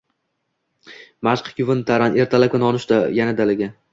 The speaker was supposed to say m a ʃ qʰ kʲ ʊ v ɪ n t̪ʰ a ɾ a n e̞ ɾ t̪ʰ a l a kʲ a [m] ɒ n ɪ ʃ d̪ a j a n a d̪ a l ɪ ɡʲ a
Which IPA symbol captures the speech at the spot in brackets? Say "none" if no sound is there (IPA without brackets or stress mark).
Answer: n